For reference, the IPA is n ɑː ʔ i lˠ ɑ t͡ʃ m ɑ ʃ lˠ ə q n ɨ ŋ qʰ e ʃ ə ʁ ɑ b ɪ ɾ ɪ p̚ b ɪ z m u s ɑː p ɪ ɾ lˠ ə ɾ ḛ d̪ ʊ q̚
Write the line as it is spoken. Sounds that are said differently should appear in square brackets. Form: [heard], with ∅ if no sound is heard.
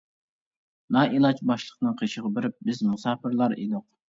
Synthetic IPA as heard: n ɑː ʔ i lˠ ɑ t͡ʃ [b] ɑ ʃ lˠ ə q n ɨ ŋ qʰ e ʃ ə ʁ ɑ b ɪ ɾ ɪ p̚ b ɪ z m u s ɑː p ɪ ɾ lˠ [ɑ] ɾ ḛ d̪ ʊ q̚